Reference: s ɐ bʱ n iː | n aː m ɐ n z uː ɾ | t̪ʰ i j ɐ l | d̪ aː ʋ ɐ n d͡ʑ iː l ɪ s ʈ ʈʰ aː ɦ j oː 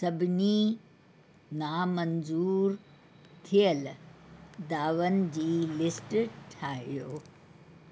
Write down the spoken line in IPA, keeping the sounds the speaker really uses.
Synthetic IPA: s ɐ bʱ n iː | n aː m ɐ n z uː ɾ | t̪ʰ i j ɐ l | d̪ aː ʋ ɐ n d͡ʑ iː l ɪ s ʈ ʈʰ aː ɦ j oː